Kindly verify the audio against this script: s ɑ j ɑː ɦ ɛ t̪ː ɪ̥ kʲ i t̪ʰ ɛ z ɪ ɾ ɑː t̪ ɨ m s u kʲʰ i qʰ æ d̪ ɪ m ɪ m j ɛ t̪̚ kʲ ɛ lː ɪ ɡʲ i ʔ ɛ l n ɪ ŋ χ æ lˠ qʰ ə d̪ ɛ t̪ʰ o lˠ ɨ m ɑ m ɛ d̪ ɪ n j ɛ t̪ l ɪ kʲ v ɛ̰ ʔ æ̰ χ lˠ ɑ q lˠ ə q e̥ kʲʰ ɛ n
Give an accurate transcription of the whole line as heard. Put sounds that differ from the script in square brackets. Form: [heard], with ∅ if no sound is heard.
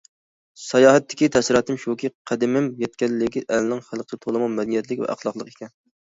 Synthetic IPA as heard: s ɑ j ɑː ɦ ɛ t̪ː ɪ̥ kʲ i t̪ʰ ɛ [s] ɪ ɾ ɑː t̪ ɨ m [ʃ] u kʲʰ i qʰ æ d̪ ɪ m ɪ m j ɛ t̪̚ kʲ ɛ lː ɪ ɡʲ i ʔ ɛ l n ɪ ŋ χ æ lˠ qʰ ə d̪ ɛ t̪ʰ o lˠ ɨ m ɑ m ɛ d̪ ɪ n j ɛ t̪ l ɪ kʲ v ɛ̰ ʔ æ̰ χ lˠ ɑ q lˠ ə q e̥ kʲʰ ɛ n